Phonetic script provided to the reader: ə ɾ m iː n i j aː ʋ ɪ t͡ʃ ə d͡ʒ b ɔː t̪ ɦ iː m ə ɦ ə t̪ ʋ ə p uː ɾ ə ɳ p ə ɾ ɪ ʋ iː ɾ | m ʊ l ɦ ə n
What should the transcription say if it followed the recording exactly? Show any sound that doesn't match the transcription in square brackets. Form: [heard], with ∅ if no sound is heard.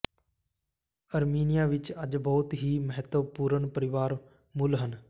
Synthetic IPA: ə ɾ m iː n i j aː ʋ ɪ t͡ʃ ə d͡ʒ b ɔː t̪ ɦ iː m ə ɦ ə t̪ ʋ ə p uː ɾ ə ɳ p ə ɾ ɪ ʋ [aː] ɾ | m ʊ l ɦ ə n